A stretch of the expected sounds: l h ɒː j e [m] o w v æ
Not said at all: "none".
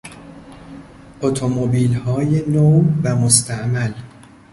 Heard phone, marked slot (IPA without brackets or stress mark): n